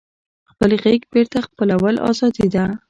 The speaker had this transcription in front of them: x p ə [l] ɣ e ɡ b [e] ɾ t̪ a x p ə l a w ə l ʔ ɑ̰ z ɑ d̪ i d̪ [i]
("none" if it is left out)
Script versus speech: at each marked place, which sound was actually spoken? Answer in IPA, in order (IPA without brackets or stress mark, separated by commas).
l, e, a